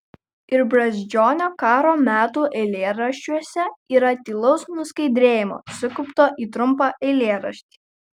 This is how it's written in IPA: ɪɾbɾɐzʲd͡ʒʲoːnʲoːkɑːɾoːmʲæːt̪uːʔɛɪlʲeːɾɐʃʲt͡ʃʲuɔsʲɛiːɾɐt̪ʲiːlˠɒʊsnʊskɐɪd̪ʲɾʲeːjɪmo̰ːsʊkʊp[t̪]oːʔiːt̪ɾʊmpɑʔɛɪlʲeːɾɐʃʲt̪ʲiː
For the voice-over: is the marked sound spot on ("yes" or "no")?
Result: yes